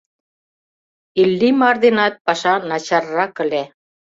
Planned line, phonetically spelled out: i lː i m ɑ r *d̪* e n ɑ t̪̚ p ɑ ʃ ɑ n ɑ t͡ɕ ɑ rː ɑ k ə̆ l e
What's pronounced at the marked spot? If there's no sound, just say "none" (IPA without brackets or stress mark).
d̪